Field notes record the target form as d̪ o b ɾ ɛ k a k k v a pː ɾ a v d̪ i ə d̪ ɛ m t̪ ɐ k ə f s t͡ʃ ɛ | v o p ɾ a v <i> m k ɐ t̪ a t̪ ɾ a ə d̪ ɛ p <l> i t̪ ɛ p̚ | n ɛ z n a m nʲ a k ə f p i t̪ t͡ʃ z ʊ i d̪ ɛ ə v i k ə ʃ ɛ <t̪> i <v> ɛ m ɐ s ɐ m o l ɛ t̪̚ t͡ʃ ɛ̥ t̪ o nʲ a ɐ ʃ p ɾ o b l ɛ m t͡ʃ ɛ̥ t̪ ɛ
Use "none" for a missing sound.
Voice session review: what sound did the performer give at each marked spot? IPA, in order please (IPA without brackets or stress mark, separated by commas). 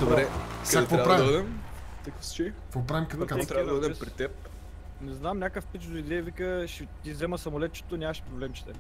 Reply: i, ɾ, t̪, z